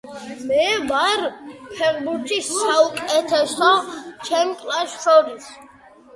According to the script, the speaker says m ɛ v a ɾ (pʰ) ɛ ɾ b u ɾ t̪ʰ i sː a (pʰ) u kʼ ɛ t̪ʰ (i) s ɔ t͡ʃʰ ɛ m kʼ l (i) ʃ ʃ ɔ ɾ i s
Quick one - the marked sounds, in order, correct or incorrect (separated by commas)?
correct, incorrect, incorrect, incorrect